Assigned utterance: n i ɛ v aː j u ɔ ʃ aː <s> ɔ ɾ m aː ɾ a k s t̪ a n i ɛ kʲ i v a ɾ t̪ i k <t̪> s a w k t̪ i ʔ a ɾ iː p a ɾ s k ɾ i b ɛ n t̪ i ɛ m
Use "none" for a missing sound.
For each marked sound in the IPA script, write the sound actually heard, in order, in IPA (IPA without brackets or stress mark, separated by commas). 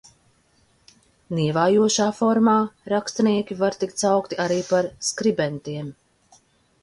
f, t̪